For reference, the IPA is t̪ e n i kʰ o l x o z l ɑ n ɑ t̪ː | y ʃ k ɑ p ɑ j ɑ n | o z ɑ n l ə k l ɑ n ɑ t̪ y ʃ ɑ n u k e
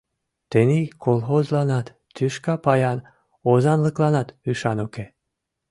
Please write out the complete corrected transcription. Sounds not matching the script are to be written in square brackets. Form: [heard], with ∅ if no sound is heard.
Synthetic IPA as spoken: t̪ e n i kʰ o l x o z l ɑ n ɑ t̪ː | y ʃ k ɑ p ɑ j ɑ n | o z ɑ n l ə k l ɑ n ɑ t̪ y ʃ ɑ n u k e